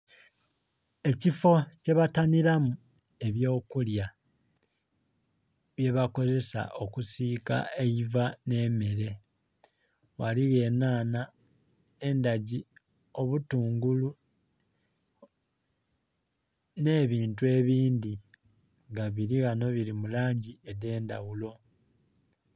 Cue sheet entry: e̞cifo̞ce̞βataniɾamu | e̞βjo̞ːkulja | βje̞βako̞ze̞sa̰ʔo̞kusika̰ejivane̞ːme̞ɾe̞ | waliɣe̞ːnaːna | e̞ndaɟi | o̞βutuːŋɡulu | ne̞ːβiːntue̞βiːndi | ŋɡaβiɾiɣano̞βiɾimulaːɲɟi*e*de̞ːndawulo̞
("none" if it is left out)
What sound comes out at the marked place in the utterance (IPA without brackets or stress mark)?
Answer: e